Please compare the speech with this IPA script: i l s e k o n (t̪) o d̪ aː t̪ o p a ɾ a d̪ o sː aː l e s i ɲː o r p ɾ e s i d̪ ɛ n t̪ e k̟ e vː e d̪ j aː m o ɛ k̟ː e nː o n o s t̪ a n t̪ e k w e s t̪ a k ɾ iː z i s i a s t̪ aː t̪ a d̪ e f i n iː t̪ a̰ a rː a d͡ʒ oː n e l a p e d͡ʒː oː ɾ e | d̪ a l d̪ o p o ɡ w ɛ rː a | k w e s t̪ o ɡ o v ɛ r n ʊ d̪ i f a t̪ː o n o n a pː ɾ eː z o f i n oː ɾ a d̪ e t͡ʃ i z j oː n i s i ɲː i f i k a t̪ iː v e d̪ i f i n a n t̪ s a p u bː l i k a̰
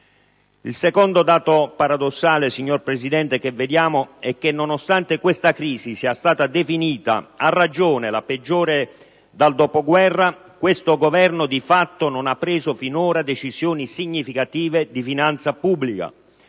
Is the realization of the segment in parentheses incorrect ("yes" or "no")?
yes